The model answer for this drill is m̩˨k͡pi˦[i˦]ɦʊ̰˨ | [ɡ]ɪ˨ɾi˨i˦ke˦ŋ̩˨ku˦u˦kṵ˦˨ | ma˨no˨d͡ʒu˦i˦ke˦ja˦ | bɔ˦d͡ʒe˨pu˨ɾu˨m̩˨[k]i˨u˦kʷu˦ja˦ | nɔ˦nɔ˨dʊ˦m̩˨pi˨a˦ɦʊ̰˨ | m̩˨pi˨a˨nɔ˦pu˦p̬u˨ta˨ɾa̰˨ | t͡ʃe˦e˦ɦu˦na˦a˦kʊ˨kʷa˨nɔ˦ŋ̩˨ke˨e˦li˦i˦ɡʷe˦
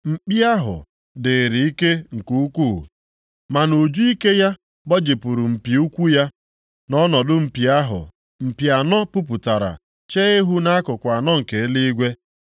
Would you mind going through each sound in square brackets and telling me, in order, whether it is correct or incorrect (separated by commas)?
incorrect, incorrect, incorrect